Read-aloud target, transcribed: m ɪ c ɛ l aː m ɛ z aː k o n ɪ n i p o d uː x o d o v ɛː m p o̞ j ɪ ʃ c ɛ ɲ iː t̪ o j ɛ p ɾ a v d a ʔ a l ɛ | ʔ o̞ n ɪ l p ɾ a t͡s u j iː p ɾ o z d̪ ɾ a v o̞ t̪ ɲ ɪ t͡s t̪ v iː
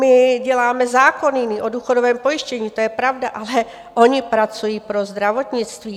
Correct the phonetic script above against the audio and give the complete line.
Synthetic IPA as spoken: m ɪ ɟ ɛ l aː m ɛ z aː k o n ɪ n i ʔ o d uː x o d o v ɛː m p o̞ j ɪ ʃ c ɛ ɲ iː t̪ o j ɛ p ɾ a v d a ʔ a l ɛ | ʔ o̞ ɲ ɪ p ɾ a t͡s u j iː p ɾ o z d̪ ɾ a v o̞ t̪ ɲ ɪ t͡s t̪ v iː